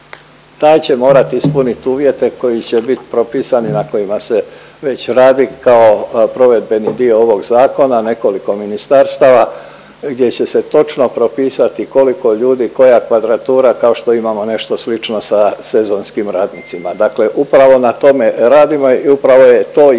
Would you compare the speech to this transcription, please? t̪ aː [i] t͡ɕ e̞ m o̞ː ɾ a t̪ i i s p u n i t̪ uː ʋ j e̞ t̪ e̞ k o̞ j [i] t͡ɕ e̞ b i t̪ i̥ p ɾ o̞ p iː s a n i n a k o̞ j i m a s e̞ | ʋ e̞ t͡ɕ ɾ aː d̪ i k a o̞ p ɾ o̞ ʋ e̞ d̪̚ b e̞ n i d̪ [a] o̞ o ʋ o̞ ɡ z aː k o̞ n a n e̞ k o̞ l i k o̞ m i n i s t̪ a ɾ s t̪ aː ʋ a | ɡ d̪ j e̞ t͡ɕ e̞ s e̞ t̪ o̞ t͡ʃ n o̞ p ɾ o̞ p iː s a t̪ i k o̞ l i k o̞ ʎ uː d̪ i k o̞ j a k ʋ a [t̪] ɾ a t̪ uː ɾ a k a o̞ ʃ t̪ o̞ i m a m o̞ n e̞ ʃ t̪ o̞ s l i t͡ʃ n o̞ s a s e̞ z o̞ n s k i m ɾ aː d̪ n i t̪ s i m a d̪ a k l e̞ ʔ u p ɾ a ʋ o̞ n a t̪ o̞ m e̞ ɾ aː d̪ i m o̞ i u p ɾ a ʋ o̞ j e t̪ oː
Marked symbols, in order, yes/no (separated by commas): no, yes, no, no